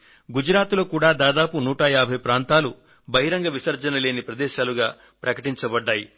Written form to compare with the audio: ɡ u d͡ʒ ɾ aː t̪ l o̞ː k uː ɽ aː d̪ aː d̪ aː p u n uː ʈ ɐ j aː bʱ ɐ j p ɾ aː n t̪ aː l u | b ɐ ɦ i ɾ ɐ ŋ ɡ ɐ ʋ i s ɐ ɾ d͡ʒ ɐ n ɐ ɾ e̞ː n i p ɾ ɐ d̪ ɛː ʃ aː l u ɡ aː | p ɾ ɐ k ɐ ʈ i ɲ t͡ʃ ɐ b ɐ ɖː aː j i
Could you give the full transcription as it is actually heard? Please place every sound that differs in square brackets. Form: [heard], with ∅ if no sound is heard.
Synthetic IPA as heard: ɡ u d͡ʒ ɾ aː t̪ l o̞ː k uː ɽ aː d̪ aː d̪ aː p u n uː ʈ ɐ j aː bʱ ɐ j p ɾ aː n t̪ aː l u | b ɐ ɦ i ɾ ɐ ŋ ɡ ɐ ʋ i s ɐ ɾ d͡ʒ ɐ n ɐ [l] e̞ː n i p ɾ ɐ d̪ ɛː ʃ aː l u ɡ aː | p ɾ ɐ k ɐ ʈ i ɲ t͡ʃ ɐ b ɐ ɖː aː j i